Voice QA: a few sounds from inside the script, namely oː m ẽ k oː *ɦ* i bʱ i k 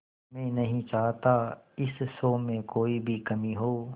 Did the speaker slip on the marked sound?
yes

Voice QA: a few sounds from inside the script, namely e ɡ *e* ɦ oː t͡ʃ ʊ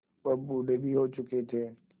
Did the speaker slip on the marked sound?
yes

